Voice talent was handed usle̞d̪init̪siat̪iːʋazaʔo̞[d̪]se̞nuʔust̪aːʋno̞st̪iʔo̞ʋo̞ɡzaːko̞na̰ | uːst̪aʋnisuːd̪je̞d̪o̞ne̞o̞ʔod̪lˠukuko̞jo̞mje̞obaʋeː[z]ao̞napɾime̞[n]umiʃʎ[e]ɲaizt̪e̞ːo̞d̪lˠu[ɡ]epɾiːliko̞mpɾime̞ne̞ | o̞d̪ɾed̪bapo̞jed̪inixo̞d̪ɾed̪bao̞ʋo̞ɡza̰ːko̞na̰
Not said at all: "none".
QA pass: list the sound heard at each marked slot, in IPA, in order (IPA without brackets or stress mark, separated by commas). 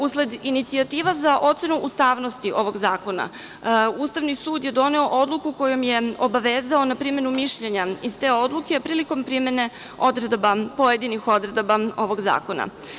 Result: t̪, z, n, e, k